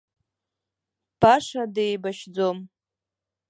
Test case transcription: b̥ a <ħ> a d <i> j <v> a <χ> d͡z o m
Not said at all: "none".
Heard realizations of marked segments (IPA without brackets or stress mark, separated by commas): ʂ, e, b, ʃ